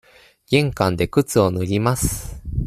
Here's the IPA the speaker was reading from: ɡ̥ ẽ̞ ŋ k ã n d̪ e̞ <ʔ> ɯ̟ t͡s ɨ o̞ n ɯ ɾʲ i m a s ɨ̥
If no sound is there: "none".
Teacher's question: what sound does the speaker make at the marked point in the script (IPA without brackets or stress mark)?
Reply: k